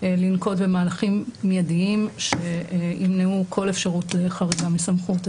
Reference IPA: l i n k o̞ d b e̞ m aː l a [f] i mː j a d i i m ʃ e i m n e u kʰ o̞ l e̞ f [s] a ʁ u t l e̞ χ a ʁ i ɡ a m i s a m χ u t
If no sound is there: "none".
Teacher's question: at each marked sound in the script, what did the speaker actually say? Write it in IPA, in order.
χ, ʃ

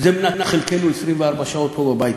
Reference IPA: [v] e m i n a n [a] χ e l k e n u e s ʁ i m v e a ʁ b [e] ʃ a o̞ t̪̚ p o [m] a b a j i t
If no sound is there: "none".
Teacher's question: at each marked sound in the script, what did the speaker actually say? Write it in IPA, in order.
z, a, a, b

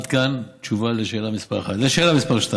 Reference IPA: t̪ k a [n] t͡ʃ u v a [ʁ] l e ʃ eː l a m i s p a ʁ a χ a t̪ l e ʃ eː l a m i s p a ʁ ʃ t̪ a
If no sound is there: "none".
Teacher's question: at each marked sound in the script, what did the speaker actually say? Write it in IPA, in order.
n, none

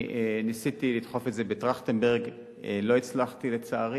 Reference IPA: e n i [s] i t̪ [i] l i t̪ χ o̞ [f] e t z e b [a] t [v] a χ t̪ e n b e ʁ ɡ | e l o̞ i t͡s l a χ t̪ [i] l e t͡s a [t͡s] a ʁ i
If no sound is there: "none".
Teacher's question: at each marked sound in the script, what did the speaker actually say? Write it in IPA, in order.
s, i, f, e, ʁ, i, none

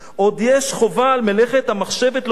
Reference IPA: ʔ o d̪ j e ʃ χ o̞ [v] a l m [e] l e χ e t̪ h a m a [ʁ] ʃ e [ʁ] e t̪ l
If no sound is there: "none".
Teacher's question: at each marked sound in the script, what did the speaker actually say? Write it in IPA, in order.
v, e, χ, v

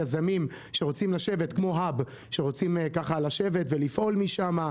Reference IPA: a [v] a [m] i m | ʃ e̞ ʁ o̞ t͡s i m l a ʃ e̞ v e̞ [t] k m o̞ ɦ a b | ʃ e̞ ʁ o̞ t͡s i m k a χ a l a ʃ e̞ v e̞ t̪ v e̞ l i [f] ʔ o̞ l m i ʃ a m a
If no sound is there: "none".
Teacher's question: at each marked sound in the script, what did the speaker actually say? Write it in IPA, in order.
z, m, t, f

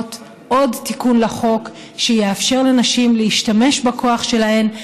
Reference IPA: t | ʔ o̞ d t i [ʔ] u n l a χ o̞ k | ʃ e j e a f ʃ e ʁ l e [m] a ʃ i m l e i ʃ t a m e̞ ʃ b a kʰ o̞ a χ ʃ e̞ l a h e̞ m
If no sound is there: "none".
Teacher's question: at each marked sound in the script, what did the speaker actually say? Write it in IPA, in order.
k, n

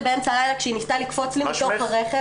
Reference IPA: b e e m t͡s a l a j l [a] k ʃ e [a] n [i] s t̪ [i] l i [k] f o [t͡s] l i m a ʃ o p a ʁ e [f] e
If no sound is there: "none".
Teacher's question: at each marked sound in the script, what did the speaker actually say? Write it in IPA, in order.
a, i, i, a, k, t͡s, χ

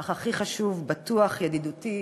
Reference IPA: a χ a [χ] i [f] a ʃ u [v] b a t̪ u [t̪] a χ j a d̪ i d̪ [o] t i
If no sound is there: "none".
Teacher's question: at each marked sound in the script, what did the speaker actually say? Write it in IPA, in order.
χ, χ, v, none, u

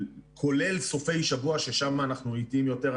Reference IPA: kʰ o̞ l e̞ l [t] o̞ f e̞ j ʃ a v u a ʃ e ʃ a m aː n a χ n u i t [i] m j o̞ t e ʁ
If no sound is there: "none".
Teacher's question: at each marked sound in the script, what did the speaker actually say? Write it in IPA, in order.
s, i

